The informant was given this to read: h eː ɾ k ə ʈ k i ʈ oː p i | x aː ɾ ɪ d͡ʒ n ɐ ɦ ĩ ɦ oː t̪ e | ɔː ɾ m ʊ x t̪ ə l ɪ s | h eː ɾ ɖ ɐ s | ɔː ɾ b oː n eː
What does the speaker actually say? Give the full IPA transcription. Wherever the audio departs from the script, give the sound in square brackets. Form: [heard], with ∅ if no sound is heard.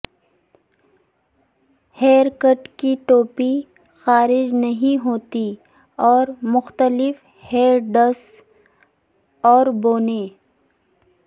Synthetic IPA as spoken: h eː ɾ k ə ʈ k i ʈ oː p i | x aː ɾ ɪ d͡ʒ n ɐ ɦ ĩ ɦ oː t̪ [i] | ɔː ɾ m ʊ x t̪ ə l ɪ [f] | h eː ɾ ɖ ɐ s | ɔː ɾ b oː n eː